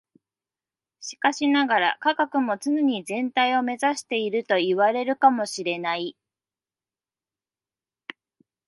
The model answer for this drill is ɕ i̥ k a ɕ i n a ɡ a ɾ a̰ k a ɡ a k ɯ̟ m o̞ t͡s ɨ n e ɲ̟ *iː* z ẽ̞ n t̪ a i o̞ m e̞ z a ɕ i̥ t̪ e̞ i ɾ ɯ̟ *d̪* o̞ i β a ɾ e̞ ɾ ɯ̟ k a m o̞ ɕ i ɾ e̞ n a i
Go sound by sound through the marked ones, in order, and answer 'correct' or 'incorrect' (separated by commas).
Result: incorrect, incorrect